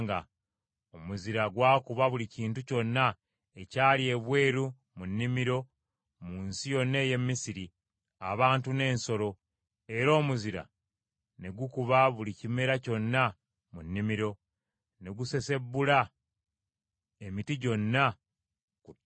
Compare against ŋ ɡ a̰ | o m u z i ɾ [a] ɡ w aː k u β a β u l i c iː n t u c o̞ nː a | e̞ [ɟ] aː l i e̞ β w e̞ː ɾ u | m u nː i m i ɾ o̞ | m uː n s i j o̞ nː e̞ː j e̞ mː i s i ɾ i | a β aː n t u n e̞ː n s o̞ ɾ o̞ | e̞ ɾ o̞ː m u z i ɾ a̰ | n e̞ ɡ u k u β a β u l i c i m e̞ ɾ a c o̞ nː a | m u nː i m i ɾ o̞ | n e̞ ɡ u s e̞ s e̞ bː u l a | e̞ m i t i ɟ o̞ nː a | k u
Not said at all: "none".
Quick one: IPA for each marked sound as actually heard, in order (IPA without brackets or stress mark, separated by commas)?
a, c